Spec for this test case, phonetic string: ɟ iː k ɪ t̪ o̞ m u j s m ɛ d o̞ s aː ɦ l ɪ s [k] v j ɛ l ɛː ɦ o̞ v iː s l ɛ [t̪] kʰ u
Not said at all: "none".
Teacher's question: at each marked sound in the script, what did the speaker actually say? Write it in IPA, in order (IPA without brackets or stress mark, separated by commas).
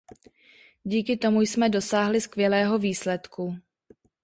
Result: k, t̪